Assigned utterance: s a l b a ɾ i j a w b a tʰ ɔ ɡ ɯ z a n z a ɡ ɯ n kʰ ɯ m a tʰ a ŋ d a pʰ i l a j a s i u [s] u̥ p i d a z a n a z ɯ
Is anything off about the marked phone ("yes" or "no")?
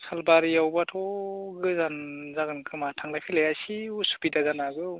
no